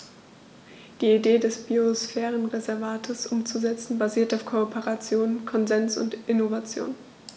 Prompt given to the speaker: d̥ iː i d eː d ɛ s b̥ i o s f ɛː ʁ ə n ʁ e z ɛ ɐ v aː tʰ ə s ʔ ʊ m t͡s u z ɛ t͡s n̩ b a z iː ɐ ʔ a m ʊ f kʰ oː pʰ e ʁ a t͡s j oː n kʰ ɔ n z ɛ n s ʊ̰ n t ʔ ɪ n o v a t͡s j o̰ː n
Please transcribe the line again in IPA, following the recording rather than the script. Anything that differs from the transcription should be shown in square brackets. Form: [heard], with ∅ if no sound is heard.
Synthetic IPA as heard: d̥ iː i d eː d ɛ s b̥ i o s f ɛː ʁ ə n ʁ e z ɛ ɐ v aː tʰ ə s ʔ ʊ m t͡s u z ɛ t͡s n̩ b a z iː ɐ [t] a [∅] ʊ f kʰ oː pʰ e ʁ a t͡s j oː n kʰ ɔ n z ɛ n s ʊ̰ n t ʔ ɪ n o v a t͡s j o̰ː n